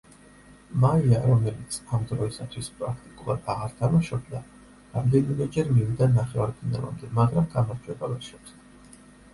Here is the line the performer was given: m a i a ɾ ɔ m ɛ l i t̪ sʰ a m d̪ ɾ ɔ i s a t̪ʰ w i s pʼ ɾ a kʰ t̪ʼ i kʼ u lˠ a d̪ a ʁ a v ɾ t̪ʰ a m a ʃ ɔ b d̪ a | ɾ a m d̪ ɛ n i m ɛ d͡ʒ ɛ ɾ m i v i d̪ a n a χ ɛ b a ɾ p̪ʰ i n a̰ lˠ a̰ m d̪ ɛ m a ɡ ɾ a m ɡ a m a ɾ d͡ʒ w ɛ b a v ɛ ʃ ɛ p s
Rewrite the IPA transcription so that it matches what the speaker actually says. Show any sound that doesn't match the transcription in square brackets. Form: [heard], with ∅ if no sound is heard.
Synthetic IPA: m a i a ɾ ɔ m ɛ l i t̪ sʰ a m d̪ ɾ ɔ i s a t̪ʰ w i s pʼ ɾ a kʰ t̪ʼ i kʼ u lˠ a d̪ a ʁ a [∅] ɾ t̪ʰ a m a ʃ ɔ b d̪ a | ɾ a m d̪ ɛ n i m ɛ d͡ʒ ɛ ɾ m i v i d̪ a n a χ ɛ [v] a ɾ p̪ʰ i n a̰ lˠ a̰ m d̪ ɛ m a ɡ ɾ a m ɡ a m a ɾ d͡ʒ w ɛ b a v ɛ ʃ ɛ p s